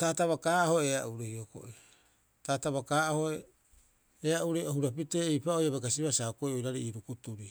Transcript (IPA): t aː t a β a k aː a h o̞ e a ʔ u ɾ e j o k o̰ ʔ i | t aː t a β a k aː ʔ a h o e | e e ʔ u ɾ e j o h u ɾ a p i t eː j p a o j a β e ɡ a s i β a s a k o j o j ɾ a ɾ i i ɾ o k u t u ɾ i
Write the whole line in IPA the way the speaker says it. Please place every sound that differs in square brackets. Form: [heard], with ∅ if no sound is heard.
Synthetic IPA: t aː t a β a k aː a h o̞ e a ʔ u ɾ e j o k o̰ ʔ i | t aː t a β a k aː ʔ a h o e | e [a] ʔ u ɾ e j o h u ɾ a p i t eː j p a o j a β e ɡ a s i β a s a k o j o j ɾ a ɾ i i ɾ [u] k u t u ɾ i

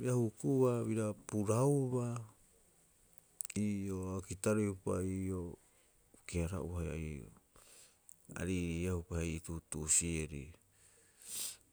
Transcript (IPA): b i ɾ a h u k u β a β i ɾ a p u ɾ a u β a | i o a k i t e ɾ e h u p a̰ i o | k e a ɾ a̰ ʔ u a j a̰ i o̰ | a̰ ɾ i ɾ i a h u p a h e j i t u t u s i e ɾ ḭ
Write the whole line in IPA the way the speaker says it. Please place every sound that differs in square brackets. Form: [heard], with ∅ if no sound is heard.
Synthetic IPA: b i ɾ a h u k u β a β i ɾ a p u ɾ a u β a | i o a k i t [a] ɾ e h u p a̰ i o | k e a ɾ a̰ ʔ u a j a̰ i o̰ | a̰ ɾ i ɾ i a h u p a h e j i t u t u s i e ɾ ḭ

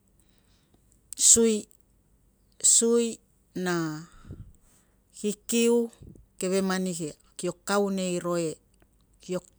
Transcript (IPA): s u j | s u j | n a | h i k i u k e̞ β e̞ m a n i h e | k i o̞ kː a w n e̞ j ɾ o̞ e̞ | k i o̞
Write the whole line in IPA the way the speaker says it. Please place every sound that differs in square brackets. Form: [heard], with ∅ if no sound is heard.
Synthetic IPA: s u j | s u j | n a | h i k i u k e̞ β e̞ m a n i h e | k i o̞ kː a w n e̞ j ɾ o̞ e̞ | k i o̞

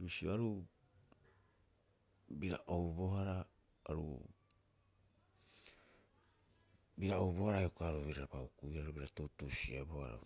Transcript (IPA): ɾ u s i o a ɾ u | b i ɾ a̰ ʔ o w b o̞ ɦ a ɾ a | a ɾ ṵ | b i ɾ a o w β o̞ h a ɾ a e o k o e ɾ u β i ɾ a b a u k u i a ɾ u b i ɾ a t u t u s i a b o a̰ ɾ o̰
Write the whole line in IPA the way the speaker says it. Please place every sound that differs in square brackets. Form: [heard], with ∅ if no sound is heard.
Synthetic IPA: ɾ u s i o a ɾ u | b i ɾ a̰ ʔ o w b o̞ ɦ a ɾ a | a ɾ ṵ | b i ɾ a o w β o̞ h a ɾ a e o k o [a] ɾ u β i ɾ a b a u k u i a ɾ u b i ɾ a t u t u s i a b o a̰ ɾ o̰

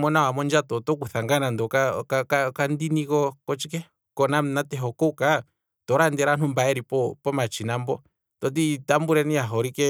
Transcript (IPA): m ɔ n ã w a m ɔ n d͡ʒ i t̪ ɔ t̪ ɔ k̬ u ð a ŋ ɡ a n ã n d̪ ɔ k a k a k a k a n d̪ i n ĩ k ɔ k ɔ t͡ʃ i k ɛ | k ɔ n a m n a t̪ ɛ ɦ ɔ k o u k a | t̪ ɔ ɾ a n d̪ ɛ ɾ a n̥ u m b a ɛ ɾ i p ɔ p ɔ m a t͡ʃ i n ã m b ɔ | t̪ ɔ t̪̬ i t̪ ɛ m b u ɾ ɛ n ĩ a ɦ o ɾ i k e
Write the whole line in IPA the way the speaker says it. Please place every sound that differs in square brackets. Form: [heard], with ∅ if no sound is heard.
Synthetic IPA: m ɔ n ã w a m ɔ n d͡ʒ [a] t̪ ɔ t̪ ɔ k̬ u [θ] a ŋ ɡ a n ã n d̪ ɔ k a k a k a k a n d̪ i n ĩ k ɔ k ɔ t͡ʃ i k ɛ | k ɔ n a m n a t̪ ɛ ɦ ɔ k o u k a | t̪ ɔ ɾ a n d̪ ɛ ɾ a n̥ u m b a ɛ ɾ i p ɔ p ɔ m a t͡ʃ i n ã m b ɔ | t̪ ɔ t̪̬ i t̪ [a] m b u ɾ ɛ n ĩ a ɦ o ɾ i k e

